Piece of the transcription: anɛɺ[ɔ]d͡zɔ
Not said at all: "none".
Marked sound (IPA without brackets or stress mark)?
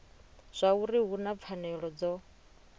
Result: ɔ